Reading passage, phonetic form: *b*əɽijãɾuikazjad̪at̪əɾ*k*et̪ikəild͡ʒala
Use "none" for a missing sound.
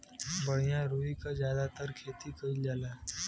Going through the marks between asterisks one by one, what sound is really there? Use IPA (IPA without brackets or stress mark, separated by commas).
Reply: b, kʰ